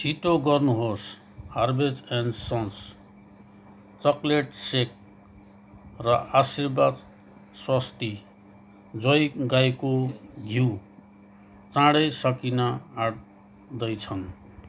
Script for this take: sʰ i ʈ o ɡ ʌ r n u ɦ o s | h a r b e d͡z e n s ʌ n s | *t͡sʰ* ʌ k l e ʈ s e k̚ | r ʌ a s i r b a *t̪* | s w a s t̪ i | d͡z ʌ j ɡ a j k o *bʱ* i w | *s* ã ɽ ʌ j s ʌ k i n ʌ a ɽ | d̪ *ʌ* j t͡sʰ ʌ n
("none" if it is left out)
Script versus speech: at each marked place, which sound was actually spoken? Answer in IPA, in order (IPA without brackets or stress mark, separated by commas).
t͡s, d̪, ɡʱ, t͡s, ʌ